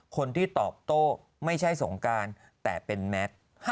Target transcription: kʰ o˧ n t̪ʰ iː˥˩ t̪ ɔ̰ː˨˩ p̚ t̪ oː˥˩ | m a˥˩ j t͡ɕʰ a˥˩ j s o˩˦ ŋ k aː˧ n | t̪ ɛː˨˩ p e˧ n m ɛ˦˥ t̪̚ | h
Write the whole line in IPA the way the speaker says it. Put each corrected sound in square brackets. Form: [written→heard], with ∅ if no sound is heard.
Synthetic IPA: kʰ o˧ n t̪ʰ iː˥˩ t̪ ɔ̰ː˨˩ p̚ t̪ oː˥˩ | m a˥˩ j t͡ɕʰ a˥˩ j s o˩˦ ŋ k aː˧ n | t̪ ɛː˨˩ p e˧ n m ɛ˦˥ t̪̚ | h